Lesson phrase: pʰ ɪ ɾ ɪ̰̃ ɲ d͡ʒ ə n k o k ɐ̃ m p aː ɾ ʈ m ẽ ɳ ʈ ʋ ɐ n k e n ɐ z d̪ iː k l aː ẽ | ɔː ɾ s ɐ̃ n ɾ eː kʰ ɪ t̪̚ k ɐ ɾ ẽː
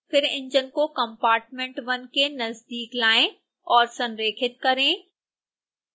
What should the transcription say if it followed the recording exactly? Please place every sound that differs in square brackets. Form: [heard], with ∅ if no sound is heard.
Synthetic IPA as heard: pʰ ɪ ɾ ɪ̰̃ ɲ d͡ʒ ə n k o k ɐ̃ m p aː ɾ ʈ m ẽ ɳ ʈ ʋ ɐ n k e n ɐ z d̪ iː k l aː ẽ | ɔː ɾ s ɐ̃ n ɾ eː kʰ ɪ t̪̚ k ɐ ɾ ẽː